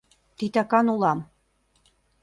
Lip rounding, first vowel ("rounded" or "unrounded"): unrounded